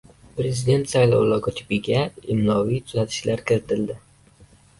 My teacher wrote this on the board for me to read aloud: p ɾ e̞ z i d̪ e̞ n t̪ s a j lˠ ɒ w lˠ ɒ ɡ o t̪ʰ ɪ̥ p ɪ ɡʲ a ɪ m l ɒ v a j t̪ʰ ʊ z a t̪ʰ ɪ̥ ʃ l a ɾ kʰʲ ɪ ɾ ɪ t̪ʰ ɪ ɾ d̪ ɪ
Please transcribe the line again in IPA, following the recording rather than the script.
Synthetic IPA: p ɾ e̞ z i d̪ e̞ n t̪ s a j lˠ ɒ w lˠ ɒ ɡ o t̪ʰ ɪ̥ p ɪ ɡʲ a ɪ m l ɒ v i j t̪ʰ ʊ z a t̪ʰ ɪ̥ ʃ l a ɾ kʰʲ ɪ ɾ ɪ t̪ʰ ɪ l d̪ ɪ